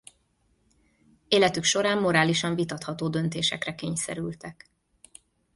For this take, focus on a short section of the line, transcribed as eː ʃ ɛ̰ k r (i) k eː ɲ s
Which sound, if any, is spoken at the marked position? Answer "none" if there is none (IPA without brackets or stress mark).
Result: ɛ